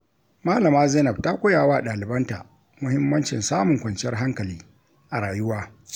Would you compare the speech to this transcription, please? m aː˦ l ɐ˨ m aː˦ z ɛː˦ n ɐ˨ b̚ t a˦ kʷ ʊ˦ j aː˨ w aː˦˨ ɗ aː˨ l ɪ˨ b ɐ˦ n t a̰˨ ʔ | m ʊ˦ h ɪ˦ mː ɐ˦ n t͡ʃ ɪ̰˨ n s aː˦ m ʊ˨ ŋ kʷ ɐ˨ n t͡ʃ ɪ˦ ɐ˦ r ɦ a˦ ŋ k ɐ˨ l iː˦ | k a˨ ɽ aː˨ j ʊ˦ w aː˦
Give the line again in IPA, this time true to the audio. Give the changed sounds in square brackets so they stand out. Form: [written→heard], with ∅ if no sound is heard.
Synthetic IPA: m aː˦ l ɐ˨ m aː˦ z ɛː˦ n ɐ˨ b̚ t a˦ kʷ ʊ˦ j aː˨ w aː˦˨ ɗ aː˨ l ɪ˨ b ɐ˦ n t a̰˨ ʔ | m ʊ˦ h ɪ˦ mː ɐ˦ n t͡ʃ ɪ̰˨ n s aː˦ m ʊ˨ ŋ kʷ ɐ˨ n t͡ʃ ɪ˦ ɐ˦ r ɦ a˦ ŋ k ɐ˨ l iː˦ | [k→ʔ] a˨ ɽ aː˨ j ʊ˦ w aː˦